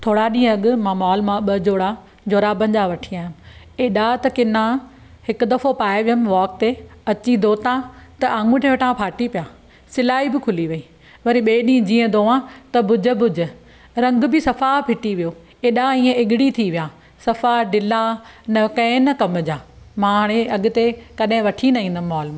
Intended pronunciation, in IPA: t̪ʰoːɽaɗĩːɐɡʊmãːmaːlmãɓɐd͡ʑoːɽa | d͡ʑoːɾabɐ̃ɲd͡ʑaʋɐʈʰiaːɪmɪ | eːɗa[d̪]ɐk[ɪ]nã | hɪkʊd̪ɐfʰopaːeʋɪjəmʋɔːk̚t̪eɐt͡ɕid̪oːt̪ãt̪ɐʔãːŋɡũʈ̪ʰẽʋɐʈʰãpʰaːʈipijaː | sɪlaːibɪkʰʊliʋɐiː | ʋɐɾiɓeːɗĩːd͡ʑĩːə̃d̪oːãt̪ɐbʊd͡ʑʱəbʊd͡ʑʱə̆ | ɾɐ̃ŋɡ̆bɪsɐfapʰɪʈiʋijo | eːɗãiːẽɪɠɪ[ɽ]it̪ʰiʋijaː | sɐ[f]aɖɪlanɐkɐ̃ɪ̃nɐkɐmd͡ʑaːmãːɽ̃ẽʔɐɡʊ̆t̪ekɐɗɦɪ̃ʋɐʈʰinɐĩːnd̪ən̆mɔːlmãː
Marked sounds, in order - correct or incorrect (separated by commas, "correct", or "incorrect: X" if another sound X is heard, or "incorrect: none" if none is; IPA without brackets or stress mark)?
incorrect: t̪, correct, correct, correct